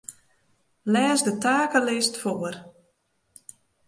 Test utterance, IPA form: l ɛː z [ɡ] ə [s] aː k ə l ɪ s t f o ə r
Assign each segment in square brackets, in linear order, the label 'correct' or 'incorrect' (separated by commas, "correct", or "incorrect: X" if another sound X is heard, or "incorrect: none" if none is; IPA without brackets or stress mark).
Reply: incorrect: d, incorrect: t